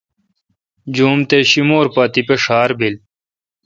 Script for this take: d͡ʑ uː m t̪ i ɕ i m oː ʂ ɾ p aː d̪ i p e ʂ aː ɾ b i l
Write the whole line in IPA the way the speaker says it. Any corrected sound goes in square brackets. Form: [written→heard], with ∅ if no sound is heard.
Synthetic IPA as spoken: d͡ʑ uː m t̪ [i→e] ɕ i m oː [ʂ→∅] ɾ p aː [d̪→t̪] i p e ʂ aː ɾ b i l

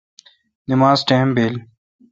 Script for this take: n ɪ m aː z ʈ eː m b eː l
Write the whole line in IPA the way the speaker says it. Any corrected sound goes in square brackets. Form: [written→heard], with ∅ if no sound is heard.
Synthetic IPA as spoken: n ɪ m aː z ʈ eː m b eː l

